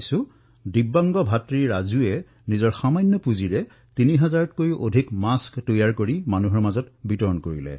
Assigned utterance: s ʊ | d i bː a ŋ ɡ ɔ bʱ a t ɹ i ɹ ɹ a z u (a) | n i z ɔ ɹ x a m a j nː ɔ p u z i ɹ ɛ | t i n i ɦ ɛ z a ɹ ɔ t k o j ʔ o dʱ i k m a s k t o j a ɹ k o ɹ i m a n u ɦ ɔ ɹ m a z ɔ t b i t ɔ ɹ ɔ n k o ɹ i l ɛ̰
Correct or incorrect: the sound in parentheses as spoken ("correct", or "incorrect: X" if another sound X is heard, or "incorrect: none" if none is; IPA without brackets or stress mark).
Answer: incorrect: ɛ